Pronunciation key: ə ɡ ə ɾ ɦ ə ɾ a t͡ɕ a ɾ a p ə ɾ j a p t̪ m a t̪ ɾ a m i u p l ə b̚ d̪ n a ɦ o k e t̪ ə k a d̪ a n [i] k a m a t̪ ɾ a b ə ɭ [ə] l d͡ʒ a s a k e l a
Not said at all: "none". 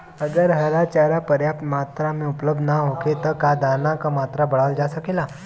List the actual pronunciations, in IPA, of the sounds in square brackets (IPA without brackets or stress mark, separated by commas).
a, a